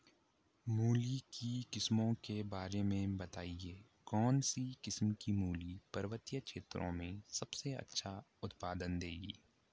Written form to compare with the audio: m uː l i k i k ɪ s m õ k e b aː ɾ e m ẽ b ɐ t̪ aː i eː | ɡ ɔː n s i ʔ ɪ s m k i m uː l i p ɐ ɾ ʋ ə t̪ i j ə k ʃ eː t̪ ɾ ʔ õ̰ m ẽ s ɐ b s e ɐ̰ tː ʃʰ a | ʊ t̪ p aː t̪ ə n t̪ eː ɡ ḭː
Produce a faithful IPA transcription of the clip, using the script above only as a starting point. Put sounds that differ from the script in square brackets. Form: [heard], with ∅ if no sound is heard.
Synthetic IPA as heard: m uː l i k i k ɪ s m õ k e b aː ɾ e m ẽ b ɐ t̪ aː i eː | [k] ɔː n s i [k] ɪ s m k i m uː l i p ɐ ɾ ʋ ə t̪ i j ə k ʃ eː t̪ ɾ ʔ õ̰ m ẽ s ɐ b s e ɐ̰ tː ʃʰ a | ʊ t̪ p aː [d̪] ə n [d̪] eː ɡ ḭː